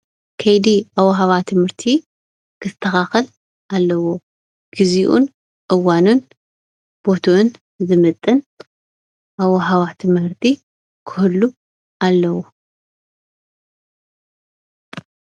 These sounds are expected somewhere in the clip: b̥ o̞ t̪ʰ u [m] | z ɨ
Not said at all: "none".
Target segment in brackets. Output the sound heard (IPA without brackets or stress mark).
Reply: n